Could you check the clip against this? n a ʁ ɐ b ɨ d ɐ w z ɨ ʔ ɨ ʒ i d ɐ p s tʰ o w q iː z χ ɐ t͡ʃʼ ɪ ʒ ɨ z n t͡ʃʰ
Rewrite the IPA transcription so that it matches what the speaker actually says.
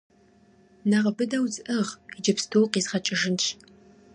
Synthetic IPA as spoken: n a ʁ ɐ b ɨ d ɐ w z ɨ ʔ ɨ ʁ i d͡ʒ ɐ p s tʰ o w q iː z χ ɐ t͡ʃʼ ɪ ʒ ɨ n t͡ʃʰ